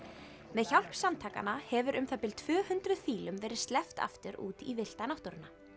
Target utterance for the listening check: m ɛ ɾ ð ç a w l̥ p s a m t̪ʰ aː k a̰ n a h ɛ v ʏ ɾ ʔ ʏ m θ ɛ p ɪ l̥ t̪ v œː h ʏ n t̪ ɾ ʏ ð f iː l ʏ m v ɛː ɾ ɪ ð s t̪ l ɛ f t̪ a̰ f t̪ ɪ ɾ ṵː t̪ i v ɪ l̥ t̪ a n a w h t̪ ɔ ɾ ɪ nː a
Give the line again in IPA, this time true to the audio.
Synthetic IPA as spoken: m ɛ ð ç a w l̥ p s a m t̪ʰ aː k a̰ n a h ɛ v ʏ ɾ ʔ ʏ m θ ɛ p ɪ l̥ t̪ʰ v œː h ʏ n t̪ ɾ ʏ ð f iː l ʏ m v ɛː ɾ ɪ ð s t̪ l ɛ f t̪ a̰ f t̪ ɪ ɾ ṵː t̪ i v ɪ l̥ t̪ a n a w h t̪ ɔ ɾ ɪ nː a